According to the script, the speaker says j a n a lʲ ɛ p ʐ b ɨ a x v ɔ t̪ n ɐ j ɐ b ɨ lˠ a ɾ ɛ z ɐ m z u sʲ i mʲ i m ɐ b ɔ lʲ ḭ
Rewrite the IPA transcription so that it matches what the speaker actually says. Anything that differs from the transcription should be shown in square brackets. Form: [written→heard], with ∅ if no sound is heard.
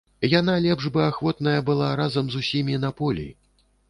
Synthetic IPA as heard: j a n a lʲ ɛ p ʐ b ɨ a x v ɔ t̪ n ɐ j ɐ b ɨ lˠ a ɾ [ɛ→a] z ɐ m z u sʲ i mʲ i [m→n] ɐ [b→p] ɔ lʲ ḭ